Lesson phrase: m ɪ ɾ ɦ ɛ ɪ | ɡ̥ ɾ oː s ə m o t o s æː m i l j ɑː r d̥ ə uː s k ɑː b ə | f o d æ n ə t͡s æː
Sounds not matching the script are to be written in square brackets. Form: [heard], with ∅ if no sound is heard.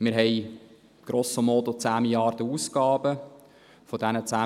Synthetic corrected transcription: m ɪ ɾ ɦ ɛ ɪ | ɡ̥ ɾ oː s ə m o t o [t͡s] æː m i l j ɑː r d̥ ə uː s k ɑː b ə | f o d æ n ə t͡s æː